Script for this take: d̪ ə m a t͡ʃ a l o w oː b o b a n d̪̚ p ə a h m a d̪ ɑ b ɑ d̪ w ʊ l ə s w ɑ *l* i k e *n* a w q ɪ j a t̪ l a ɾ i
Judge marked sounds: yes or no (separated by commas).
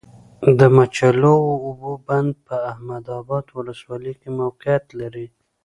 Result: yes, no